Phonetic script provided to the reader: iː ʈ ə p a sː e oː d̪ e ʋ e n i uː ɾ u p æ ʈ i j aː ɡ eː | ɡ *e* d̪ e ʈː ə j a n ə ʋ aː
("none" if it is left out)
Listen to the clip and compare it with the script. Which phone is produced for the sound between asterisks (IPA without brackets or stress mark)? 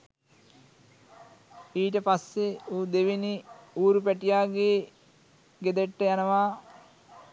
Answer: e